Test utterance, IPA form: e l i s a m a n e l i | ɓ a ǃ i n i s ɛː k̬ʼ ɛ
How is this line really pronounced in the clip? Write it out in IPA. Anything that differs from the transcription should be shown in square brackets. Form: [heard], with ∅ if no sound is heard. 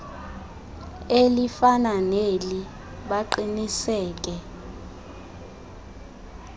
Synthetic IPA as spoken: e l i [f] a [n] a n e l i | ɓ a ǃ i n i s ɛː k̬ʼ ɛ